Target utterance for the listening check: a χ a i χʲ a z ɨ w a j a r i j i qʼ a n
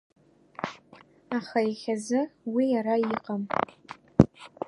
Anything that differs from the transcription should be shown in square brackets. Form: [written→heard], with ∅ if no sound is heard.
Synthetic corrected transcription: a χ a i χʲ a z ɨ w [a→i] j a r [i→a] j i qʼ a [n→m]